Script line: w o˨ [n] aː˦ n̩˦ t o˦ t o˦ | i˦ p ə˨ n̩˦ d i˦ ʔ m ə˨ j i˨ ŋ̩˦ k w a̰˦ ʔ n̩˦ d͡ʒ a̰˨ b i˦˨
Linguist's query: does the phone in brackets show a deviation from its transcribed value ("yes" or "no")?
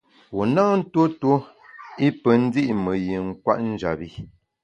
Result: no